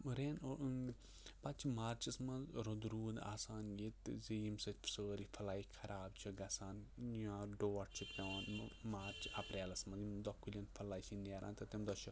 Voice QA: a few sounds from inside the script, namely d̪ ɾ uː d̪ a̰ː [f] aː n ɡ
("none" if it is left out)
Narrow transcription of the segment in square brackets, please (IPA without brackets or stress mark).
s